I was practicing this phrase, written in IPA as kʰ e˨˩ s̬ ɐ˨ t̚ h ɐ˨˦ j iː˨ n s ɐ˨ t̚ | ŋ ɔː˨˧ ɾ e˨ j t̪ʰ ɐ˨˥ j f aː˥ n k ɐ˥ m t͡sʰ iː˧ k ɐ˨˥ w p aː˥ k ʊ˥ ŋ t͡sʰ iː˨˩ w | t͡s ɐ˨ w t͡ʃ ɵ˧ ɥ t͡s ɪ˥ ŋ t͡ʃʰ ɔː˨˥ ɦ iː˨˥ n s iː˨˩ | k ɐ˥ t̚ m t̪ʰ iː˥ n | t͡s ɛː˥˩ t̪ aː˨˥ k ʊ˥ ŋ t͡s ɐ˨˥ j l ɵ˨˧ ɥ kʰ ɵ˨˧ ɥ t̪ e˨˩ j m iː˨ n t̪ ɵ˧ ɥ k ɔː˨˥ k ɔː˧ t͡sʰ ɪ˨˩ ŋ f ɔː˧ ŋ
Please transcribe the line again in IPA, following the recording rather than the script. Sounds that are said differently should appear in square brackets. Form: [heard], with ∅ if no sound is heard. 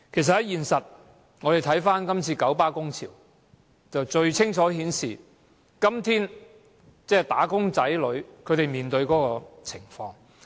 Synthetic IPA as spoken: kʰ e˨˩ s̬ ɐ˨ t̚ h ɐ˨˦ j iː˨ n s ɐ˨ t̚ | ŋ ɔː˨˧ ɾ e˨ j t̪ʰ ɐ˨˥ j f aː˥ n k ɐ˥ m t͡sʰ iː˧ k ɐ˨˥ w p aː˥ k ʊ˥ ŋ t͡sʰ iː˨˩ w | t͡s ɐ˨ w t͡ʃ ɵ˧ ɥ [t͡sʰ] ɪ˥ ŋ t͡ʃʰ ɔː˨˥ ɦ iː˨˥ n s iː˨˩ | k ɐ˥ [∅] m t̪ʰ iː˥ n | t͡s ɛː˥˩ t̪ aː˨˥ k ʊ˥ ŋ t͡s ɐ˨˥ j l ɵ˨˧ ɥ kʰ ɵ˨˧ ɥ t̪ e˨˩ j m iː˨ n t̪ ɵ˧ ɥ k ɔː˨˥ k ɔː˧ t͡sʰ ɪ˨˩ ŋ f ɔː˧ ŋ